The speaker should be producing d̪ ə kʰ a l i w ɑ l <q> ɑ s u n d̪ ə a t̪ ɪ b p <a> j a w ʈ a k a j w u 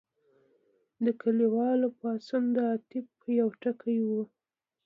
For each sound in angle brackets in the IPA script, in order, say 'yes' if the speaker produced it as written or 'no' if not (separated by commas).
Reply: no, no